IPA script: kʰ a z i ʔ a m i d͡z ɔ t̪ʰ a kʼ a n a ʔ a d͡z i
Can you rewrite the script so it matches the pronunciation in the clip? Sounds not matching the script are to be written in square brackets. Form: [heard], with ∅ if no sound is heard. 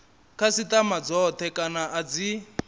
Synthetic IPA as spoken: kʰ a [s] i [t] a m [a] d͡z ɔ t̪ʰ [ɛ] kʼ a n a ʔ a d͡z i